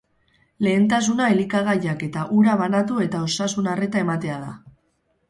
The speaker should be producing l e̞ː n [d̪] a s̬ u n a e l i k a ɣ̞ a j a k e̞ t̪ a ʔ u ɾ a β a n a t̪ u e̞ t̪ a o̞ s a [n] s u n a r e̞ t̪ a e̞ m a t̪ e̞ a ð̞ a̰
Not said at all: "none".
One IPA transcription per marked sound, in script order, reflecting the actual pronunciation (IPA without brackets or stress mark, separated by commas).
t̪, none